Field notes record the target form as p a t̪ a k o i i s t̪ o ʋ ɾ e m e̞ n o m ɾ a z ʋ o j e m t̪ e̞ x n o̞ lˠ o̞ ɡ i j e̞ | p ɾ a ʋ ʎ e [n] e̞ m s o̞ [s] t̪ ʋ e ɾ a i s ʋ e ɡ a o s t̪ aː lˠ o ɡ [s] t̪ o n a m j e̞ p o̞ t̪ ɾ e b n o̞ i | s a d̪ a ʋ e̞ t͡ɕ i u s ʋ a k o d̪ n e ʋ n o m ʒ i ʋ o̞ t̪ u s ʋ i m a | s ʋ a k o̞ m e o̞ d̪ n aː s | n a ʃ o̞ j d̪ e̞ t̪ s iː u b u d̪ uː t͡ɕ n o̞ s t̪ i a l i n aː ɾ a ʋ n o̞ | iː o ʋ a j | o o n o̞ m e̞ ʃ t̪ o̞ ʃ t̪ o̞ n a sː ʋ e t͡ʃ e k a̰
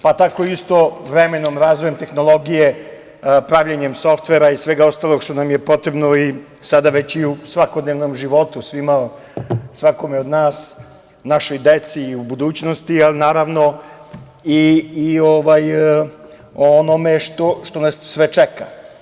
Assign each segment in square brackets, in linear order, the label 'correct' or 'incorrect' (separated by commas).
incorrect, incorrect, incorrect